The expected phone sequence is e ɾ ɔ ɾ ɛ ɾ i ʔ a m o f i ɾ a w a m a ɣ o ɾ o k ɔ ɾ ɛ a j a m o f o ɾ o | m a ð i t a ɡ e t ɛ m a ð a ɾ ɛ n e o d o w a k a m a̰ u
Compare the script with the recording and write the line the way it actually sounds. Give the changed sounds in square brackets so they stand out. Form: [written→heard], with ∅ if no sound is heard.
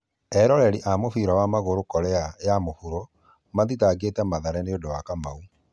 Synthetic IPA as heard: [e→ɛ] ɾ ɔ ɾ ɛ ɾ i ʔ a m o f i ɾ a w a m a ɣ o ɾ o k ɔ ɾ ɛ a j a m o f [o→u] ɾ o | m a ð i t a ɡ e t ɛ m a ð a ɾ ɛ n e o d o w a k a m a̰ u

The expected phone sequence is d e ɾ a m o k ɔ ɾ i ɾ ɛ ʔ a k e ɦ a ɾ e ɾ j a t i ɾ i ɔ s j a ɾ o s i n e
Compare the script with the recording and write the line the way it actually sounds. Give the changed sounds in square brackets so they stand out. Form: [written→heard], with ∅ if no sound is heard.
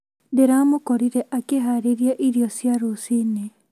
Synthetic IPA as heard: d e ɾ a m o k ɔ ɾ i ɾ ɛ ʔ a k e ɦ a ɾ e ɾ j a [t→ʔ] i ɾ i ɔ s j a ɾ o s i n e

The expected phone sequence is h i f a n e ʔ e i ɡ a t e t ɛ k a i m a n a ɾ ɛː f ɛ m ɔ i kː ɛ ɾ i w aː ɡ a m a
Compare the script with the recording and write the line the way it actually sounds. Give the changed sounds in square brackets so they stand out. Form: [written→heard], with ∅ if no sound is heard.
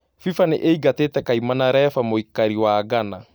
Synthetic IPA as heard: [h→f] i f a n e ʔ e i ɡ a t e t ɛ k a i m a n a ɾ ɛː f [ɛ→a] m [ɔ→o] i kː [ɛ→a] ɾ i w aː ɡ a [m→n] a

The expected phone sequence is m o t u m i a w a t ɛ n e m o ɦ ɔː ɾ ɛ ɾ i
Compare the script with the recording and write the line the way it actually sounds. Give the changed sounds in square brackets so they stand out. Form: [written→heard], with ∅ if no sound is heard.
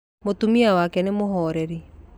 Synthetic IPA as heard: m o t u m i a w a [t→k] ɛ n e m o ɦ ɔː ɾ ɛ ɾ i

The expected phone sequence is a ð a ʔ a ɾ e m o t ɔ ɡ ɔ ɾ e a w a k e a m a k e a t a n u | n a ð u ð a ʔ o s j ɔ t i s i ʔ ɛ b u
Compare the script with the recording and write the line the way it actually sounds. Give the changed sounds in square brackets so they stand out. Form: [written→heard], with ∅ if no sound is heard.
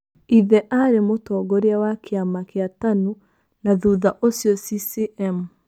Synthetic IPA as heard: [a→i] ð [a→ɛ] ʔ a ɾ e m o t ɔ ɡ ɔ ɾ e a w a k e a m a k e a t a n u | n a ð u ð a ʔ o s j ɔ [t→s] i s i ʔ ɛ [b→m] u

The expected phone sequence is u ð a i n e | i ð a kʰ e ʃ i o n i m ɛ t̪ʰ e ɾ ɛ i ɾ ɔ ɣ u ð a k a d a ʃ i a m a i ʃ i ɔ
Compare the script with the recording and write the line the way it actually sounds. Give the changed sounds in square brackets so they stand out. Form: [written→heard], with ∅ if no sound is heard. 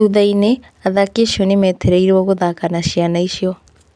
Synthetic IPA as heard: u ð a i n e | [i→a] ð a [kʰ→k] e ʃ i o n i m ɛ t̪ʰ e ɾ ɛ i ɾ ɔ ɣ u ð a k a [d→n] a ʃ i a [m→n] a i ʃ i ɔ

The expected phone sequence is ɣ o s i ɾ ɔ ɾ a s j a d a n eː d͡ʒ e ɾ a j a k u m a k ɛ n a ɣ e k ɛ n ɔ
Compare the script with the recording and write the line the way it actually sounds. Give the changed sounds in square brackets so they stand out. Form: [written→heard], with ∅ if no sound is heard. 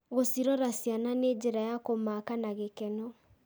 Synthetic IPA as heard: ɣ o s i ɾ ɔ ɾ a s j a [d→n] a n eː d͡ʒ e ɾ a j a k [u→o] m a k [ɛ→a] n a ɣ e k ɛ n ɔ

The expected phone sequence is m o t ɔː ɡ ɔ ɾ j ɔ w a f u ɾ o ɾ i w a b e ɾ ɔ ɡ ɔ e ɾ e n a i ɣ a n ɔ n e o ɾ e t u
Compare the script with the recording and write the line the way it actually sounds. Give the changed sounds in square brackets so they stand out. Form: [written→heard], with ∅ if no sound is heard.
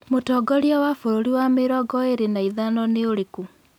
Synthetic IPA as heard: m o t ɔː ɡ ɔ ɾ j ɔ w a f [u→o] ɾ o ɾ i w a [b→m] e ɾ ɔ ɡ ɔ e ɾ e n a i [ɣ→ð] a n ɔ n e o ɾ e [t→k] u

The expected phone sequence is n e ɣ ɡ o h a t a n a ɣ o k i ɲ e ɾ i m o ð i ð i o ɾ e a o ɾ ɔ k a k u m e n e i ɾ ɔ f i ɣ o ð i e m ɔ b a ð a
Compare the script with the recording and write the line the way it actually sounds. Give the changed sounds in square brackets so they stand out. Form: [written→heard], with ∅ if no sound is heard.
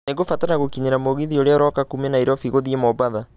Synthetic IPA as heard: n e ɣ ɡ o [h→f] a t a n a ɣ o k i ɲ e ɾ [i→a] m o [ð→ɣ] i ð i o ɾ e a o ɾ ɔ k a k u m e n [e→a] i ɾ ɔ f i ɣ o ð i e m ɔ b a ð a

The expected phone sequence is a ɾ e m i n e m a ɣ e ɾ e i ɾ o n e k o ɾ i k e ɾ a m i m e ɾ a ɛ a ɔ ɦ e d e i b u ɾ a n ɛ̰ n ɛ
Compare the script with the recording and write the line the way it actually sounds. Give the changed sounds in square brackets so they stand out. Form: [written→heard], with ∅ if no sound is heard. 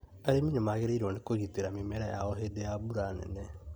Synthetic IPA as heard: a ɾ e m i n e m a ɣ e ɾ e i ɾ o n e k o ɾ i [k→t] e ɾ a m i m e ɾ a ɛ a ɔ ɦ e d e [i→a] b u ɾ a n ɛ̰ n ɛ

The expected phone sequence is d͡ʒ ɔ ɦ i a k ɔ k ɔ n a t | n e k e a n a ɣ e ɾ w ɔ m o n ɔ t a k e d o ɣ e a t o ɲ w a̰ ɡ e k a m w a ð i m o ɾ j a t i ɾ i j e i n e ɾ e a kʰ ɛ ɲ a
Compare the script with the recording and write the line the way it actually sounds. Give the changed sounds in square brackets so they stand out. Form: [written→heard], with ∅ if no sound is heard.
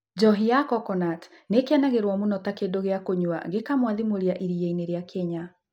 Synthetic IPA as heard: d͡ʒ ɔ ɦ i a k ɔ k ɔ n a t | n e k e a n a ɣ e ɾ w ɔ m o n ɔ t a k e d o ɣ e a [t→k] o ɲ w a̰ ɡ e k a m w a ð i m o ɾ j a [t→ʔ] i ɾ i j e i n e ɾ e a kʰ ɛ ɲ a

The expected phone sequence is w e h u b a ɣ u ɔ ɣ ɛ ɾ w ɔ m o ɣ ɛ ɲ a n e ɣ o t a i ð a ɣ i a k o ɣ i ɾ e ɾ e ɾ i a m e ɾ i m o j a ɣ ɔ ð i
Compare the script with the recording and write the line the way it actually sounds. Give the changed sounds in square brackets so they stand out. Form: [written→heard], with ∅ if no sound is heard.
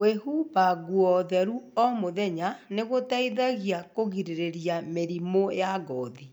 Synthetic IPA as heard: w e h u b a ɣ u ɔ [ɣ→ð] ɛ ɾ [w→u] ɔ m o [ɣ→ð] ɛ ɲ a n e ɣ o t a i ð a ɣ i a k o ɣ i ɾ e ɾ e ɾ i a m e ɾ i m o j a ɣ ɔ ð i

